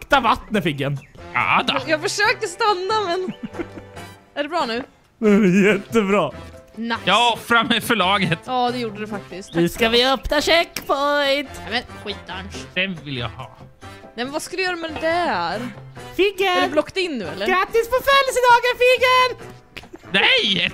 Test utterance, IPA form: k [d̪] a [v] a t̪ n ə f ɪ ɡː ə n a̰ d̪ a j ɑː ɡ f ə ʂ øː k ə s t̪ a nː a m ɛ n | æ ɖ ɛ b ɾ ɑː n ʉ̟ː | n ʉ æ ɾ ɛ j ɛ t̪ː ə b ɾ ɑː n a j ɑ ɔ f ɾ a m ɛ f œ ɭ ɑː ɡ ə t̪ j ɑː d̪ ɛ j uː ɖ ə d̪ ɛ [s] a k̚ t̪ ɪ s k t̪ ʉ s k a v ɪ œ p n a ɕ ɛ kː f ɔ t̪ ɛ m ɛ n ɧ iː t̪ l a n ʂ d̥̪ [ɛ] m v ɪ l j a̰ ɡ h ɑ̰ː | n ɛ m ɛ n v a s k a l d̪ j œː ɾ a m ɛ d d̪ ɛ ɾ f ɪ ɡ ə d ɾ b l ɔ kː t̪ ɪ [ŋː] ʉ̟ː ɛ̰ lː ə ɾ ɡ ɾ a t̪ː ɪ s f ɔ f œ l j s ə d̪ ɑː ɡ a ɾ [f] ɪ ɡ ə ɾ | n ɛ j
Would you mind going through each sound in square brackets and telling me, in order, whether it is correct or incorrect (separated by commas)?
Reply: incorrect, correct, incorrect, correct, incorrect, correct